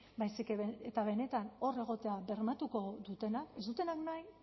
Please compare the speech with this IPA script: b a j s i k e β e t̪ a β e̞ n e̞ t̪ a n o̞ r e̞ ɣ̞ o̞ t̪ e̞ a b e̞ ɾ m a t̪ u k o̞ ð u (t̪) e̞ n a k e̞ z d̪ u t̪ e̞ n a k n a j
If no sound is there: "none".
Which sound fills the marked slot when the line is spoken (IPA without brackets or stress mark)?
t̪